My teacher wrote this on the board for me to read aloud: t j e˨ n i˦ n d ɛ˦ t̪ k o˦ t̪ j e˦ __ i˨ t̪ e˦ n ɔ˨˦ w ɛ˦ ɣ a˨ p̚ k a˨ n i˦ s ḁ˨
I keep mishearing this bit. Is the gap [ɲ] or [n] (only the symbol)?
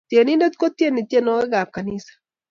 n